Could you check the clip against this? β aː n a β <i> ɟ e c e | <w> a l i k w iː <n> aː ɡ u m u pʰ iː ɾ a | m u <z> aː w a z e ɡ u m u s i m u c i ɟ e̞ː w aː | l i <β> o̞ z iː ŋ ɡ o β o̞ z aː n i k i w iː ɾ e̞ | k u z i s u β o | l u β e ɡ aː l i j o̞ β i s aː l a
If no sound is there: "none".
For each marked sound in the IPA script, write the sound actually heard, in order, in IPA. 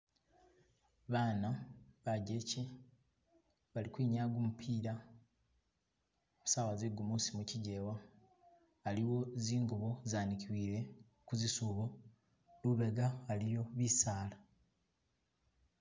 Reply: a, β, ɲ, s, w

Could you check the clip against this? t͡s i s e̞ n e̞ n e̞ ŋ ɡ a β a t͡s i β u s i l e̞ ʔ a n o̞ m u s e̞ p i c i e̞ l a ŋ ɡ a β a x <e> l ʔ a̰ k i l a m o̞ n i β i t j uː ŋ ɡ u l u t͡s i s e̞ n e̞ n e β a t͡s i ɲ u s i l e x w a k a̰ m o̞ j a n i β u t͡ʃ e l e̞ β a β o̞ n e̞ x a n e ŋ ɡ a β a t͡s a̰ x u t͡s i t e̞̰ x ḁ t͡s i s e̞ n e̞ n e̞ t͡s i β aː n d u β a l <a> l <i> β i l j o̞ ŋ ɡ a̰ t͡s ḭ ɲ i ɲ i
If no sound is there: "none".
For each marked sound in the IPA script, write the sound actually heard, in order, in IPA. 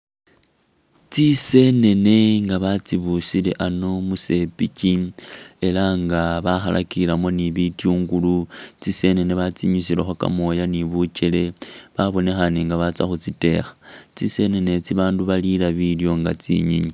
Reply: a, i, a

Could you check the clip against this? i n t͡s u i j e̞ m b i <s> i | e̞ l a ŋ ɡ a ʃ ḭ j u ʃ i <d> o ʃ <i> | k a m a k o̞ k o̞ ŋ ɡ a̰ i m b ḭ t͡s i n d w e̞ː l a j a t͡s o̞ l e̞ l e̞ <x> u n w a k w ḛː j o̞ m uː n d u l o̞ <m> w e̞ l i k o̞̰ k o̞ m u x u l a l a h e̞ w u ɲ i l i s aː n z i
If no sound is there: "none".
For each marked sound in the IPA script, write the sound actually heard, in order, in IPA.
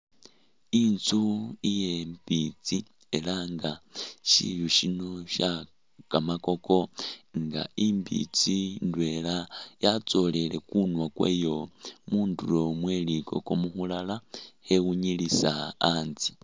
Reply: t͡s, n, a, k, m

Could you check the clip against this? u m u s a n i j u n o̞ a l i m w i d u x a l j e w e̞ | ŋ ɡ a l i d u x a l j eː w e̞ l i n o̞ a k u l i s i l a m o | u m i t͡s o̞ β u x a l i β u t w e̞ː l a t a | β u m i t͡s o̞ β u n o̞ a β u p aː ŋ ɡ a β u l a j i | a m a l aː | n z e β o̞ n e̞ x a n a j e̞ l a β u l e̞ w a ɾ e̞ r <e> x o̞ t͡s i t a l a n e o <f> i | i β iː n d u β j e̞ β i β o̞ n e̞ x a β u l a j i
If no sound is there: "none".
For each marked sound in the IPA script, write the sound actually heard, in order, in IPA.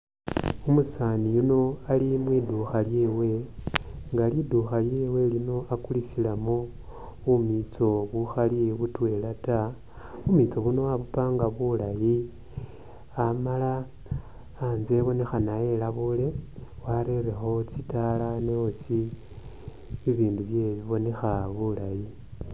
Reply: e, s

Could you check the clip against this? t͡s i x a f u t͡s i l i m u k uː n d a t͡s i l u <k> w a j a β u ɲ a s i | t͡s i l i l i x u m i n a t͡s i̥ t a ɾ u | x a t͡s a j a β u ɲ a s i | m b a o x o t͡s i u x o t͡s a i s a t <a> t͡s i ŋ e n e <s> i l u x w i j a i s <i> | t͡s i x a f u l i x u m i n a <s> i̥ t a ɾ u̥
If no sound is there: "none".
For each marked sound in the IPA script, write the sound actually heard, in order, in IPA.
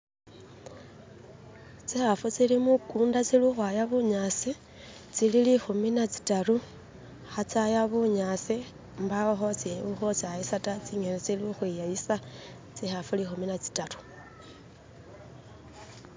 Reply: x, a, t͡s, a, t͡s

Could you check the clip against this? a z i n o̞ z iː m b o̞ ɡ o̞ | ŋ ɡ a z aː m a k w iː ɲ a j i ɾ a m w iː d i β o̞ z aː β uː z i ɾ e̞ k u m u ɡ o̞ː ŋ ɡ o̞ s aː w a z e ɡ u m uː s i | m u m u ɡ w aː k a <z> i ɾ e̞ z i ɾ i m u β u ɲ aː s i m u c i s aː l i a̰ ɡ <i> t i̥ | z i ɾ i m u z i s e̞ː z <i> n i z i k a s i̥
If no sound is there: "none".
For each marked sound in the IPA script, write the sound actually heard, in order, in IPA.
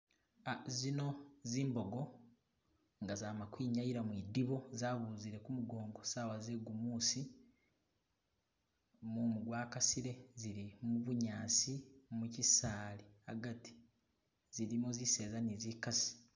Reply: s, a, a

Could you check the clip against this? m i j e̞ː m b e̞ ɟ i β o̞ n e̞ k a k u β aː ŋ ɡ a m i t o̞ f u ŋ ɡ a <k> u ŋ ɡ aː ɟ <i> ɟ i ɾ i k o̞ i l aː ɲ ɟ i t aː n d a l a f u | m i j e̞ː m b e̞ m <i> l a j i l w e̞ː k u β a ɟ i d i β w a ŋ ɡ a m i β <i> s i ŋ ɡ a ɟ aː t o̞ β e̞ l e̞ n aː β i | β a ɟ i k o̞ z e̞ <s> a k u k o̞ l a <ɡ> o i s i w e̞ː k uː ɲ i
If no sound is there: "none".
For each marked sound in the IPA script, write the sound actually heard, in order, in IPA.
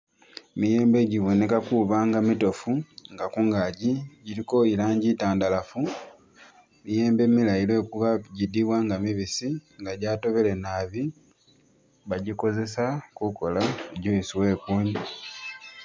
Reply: k, i, i, i, s, ɟ

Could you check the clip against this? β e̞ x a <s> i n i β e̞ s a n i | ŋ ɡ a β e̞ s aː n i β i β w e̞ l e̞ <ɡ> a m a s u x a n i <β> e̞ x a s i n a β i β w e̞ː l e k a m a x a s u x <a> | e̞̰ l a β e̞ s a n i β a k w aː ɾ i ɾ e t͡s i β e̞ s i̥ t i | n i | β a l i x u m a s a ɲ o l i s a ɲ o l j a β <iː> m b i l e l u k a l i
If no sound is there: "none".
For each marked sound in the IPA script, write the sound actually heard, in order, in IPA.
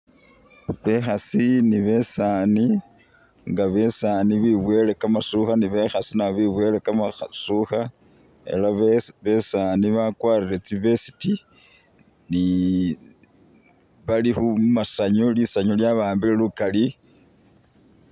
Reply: s, k, β, a, aː

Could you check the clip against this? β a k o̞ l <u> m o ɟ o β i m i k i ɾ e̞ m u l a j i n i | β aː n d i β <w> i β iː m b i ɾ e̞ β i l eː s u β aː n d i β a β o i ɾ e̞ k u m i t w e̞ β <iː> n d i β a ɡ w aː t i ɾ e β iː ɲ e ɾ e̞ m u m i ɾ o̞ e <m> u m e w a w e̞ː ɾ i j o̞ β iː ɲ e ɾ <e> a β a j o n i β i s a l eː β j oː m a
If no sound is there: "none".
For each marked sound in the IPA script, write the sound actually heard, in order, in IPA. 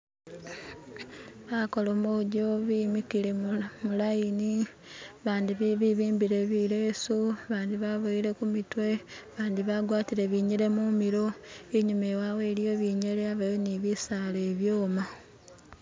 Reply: o, β, aː, ɲ, e

